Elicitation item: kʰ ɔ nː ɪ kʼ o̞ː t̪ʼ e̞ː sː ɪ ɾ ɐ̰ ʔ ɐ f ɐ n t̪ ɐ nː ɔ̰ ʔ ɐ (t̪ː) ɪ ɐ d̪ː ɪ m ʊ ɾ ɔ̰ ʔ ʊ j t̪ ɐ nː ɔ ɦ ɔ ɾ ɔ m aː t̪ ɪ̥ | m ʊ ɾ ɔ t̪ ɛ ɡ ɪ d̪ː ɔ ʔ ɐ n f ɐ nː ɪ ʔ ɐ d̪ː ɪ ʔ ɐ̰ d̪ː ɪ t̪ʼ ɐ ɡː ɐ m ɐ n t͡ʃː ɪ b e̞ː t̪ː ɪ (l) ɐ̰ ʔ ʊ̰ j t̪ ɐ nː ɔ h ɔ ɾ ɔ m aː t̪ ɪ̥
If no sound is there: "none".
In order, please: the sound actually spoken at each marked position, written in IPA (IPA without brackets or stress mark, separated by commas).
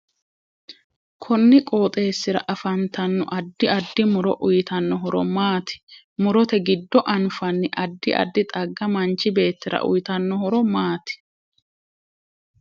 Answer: d̪ː, ɾ